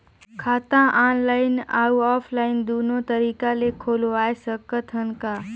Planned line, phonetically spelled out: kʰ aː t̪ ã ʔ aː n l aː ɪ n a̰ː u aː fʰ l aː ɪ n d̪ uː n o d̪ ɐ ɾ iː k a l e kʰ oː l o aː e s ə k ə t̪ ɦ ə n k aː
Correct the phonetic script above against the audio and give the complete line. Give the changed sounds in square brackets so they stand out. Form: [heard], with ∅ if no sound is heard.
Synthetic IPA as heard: kʰ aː t̪ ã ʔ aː n l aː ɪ n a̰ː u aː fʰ l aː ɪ n d̪ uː n o [t̪] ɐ ɾ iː k a l e kʰ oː l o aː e s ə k ə t̪ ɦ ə n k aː